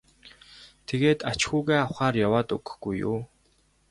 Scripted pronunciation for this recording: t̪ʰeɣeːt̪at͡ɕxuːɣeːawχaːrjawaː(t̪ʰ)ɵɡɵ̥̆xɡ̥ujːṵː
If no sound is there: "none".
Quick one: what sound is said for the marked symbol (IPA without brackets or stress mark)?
t̪